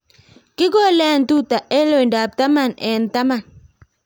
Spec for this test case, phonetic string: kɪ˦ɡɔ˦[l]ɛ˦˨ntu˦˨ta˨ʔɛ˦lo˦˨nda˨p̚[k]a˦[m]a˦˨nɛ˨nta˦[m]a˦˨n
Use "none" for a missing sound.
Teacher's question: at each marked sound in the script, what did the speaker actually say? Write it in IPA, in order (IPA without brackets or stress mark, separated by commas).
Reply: l, t, m, m